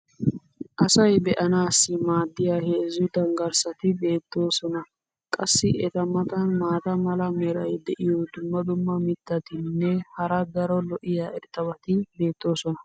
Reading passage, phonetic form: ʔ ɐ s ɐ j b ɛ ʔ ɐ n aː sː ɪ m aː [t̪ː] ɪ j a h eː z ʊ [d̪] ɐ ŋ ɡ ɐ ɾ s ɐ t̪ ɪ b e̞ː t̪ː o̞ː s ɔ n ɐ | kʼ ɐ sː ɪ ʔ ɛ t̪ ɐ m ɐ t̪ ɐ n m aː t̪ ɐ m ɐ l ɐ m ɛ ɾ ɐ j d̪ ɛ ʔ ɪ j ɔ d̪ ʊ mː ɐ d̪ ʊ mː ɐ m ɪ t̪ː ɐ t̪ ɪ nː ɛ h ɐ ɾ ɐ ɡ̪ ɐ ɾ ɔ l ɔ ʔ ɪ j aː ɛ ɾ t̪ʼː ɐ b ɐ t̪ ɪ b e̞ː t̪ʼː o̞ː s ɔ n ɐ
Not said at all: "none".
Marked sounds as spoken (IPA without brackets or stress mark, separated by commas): d̪ː, d̪